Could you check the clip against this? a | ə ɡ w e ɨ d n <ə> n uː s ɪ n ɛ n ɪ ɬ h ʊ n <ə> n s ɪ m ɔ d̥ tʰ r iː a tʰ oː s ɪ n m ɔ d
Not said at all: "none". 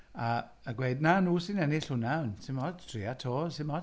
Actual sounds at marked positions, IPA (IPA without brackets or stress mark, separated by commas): a, a